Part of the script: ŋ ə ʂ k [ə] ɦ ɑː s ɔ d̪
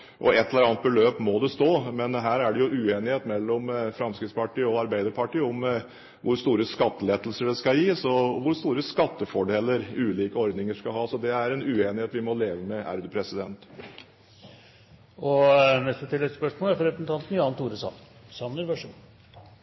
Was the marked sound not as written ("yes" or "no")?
yes